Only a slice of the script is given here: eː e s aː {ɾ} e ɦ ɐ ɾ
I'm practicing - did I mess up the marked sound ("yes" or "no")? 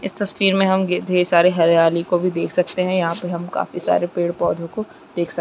no